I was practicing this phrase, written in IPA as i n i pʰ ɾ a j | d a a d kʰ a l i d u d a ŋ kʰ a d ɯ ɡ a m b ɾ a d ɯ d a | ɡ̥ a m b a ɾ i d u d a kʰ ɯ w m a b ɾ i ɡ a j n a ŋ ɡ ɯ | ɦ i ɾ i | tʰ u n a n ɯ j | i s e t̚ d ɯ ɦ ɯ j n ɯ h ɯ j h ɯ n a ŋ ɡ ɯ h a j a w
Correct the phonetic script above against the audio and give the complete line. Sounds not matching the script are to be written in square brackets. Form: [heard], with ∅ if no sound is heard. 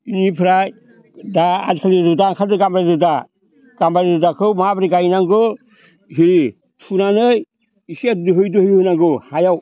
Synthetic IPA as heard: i n i pʰ ɾ a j | d a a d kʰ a l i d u d a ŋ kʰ a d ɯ ɡ a m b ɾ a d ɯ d a | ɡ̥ a m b a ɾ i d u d a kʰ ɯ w m a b ɾ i ɡ a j n a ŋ ɡ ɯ | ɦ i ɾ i | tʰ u n a n ɯ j | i s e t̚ d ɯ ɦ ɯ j [d] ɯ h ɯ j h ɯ n a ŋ ɡ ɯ h a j a w